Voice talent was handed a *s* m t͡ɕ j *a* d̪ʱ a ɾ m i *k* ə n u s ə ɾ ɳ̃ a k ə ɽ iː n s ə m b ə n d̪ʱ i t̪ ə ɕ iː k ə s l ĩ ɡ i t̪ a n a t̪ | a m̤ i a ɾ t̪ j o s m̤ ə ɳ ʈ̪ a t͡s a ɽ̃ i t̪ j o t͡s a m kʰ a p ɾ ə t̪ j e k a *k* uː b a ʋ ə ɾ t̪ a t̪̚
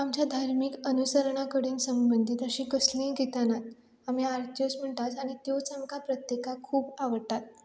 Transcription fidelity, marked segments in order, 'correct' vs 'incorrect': incorrect: none, correct, correct, incorrect: kʰ

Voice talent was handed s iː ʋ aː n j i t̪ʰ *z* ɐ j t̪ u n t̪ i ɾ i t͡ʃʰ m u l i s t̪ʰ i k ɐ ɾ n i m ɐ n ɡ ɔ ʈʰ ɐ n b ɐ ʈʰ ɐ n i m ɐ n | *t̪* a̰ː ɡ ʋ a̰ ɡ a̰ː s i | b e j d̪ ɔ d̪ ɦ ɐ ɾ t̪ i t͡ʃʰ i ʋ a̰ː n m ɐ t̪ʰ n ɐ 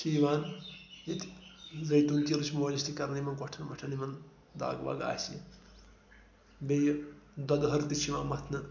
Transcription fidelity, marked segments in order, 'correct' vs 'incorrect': correct, incorrect: d̪

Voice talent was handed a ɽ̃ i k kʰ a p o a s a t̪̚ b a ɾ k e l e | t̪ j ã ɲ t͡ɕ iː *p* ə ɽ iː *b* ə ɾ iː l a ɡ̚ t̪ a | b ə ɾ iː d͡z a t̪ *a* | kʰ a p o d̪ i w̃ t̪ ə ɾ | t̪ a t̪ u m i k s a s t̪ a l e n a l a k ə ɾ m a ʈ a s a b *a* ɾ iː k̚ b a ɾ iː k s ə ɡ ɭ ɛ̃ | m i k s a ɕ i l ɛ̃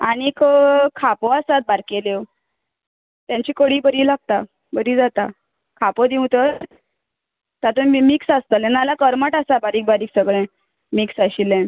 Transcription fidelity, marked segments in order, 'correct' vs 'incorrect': incorrect: k, correct, correct, correct

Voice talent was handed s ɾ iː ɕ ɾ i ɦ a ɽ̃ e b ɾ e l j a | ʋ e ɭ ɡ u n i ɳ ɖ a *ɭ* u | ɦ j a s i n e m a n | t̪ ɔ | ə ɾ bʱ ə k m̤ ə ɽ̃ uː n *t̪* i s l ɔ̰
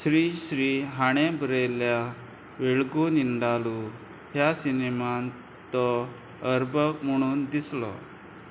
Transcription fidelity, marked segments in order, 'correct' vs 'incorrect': incorrect: l, incorrect: d̪

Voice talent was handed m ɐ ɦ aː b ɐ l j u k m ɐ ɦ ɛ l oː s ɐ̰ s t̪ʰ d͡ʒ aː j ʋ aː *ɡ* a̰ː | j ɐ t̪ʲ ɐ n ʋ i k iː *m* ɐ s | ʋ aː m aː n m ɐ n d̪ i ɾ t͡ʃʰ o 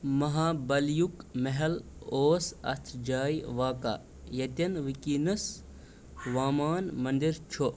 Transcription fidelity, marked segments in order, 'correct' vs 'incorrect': incorrect: k, incorrect: n

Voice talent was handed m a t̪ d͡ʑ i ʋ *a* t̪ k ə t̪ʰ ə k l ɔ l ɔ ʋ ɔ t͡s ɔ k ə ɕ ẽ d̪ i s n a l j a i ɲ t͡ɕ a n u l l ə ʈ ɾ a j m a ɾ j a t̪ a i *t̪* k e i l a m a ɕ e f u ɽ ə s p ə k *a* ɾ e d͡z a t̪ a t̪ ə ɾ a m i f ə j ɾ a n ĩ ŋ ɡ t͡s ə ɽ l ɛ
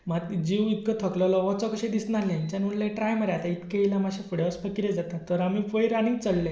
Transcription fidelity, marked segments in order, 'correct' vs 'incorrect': incorrect: i, correct, incorrect: i

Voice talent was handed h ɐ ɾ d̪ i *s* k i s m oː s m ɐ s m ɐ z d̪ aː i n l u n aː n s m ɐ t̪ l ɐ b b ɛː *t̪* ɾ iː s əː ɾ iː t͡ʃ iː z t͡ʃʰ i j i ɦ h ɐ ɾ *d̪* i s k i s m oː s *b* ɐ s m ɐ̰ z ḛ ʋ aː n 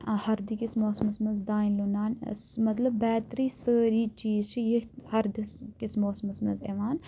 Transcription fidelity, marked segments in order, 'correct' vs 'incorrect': incorrect: none, correct, correct, incorrect: m

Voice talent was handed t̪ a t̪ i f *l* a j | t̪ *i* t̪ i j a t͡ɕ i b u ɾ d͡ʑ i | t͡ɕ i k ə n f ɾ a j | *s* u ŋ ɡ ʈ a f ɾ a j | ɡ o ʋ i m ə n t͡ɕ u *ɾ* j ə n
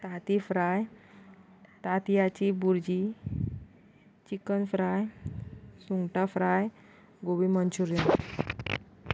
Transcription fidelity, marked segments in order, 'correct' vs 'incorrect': incorrect: ɾ, incorrect: a, correct, correct

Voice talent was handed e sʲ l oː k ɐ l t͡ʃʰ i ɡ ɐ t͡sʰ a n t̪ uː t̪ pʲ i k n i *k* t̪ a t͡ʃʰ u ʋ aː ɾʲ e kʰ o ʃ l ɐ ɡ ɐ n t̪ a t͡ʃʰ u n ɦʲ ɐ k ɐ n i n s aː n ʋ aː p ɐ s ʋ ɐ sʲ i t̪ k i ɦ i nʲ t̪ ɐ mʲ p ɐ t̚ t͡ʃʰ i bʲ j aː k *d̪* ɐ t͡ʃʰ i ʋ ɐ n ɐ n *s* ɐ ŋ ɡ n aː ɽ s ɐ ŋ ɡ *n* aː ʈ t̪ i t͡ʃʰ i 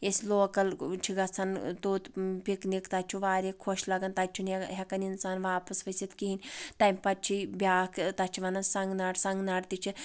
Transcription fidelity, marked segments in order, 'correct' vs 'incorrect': correct, incorrect: t̪, correct, correct

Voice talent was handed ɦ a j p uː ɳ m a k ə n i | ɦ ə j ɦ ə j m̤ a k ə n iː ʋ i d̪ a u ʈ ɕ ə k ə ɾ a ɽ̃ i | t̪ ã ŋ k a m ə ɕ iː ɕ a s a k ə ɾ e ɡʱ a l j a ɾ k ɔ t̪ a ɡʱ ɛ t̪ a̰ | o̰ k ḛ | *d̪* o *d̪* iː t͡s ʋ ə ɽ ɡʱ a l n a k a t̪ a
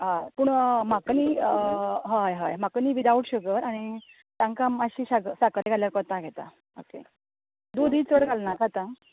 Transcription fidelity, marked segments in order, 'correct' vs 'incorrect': correct, correct

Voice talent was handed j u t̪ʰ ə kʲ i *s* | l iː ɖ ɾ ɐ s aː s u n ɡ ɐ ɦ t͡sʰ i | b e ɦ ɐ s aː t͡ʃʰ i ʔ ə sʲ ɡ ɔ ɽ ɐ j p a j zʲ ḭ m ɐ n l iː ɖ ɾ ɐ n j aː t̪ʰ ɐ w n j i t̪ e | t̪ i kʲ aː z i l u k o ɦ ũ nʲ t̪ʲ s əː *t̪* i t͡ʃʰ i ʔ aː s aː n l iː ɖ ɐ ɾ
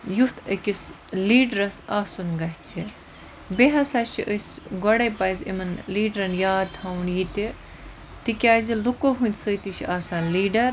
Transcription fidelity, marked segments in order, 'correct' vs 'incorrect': correct, correct

